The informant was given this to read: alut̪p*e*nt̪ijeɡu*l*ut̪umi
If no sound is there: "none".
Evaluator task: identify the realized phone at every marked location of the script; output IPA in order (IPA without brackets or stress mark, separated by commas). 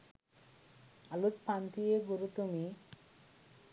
a, ɾ